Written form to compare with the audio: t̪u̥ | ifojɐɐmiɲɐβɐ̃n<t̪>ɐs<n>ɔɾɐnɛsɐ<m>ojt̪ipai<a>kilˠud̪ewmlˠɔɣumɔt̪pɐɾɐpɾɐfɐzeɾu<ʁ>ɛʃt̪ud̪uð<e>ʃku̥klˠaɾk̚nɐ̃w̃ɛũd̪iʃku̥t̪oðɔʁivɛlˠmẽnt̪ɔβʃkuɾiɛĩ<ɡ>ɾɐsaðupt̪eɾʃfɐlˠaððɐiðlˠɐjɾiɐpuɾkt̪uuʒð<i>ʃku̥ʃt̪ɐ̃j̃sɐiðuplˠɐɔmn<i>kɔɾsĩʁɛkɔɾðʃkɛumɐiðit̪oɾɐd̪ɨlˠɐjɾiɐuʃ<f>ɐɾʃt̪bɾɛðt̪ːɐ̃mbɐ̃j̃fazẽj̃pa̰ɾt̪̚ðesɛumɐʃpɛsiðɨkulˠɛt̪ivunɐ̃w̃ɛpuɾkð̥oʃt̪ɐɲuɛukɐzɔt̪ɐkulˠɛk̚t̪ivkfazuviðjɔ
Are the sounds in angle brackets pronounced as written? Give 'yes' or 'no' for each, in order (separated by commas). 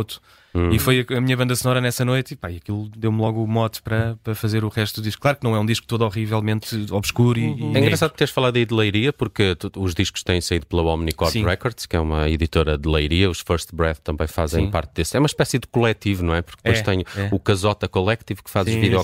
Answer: no, yes, no, no, yes, no, yes, yes, yes, yes